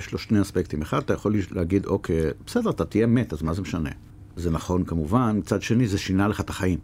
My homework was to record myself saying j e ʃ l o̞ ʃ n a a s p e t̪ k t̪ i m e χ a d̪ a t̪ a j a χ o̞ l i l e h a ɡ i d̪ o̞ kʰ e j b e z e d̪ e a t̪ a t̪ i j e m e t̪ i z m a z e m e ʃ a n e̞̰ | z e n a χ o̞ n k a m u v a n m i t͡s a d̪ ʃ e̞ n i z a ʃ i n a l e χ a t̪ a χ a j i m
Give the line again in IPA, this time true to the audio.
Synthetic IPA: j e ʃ l o̞ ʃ n e a s p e k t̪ i m e χ a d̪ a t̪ a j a χ o̞ l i l e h a ɡ i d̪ o̞ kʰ e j b e s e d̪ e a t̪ a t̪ i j e m e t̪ a z m a z e m e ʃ a n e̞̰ | z e n a χ o̞ n k a m u v a n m i t͡s a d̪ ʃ e̞ n i z e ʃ i n a l e χ a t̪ a χ a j i m